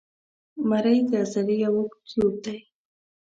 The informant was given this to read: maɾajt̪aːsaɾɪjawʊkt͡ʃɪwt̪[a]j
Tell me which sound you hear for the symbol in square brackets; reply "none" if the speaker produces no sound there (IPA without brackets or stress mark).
a